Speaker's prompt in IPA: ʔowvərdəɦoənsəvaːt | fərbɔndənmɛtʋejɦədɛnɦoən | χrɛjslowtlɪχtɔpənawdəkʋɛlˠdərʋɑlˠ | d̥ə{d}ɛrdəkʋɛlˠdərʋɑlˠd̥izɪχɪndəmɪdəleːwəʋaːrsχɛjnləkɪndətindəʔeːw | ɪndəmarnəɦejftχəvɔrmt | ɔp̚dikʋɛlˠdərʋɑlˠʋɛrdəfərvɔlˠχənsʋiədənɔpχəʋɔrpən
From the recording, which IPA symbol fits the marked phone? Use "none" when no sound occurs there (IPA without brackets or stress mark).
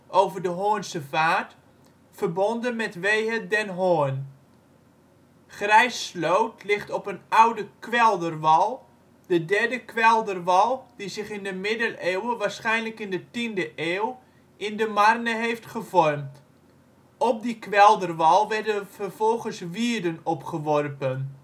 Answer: d